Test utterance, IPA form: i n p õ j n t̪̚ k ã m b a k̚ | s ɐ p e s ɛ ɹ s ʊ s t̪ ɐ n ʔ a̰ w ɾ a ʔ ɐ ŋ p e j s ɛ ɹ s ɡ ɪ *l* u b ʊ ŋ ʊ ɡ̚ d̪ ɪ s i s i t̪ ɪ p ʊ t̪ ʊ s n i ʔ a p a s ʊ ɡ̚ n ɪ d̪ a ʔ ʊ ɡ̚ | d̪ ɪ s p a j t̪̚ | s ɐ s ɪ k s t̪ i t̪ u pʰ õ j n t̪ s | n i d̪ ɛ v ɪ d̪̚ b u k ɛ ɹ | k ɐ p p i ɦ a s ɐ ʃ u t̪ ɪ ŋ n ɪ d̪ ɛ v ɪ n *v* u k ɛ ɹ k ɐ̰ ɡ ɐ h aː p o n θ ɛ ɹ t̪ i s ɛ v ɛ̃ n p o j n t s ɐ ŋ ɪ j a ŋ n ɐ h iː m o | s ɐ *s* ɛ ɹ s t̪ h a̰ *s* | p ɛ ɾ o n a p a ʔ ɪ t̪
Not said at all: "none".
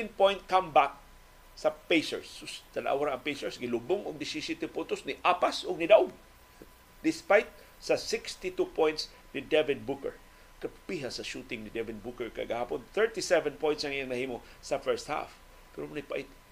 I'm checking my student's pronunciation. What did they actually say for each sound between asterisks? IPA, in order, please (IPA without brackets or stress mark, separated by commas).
l, b, f, f